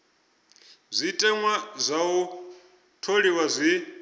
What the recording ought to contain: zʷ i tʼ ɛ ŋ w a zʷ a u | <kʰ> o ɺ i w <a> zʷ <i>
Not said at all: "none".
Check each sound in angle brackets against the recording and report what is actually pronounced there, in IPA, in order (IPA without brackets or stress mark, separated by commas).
tʰ, a, i